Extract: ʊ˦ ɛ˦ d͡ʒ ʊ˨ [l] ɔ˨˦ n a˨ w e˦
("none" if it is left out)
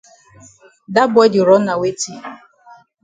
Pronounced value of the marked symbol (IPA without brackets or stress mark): ɾ